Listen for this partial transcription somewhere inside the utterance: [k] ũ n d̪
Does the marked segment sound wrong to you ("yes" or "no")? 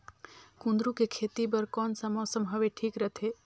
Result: no